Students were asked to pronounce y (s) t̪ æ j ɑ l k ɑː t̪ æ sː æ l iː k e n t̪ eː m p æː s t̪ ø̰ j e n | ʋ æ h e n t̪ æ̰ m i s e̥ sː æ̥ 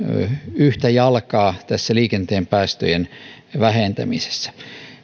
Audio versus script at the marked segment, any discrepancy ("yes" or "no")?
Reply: yes